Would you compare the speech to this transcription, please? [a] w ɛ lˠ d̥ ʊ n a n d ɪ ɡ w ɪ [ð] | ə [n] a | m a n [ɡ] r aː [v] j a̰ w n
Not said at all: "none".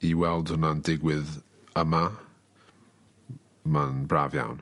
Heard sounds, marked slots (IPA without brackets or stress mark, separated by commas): i, ð, m, b, v